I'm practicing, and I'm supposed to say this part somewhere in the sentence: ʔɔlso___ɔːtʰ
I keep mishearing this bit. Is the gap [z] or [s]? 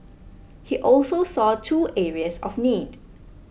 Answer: s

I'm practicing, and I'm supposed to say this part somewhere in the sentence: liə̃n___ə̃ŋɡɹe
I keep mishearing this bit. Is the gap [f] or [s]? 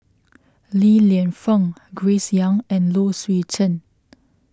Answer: f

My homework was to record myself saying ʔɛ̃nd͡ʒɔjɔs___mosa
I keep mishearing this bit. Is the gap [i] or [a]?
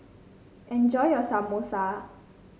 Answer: a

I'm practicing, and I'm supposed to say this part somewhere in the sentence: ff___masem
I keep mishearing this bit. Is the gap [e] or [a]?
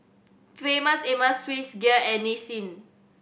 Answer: e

